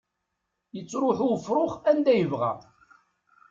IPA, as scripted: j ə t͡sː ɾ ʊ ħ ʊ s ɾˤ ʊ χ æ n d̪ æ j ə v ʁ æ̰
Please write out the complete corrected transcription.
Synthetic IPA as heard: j ə t͡sː ɾ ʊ ħ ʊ f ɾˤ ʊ χ æ n d̪ æ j ə v ʁ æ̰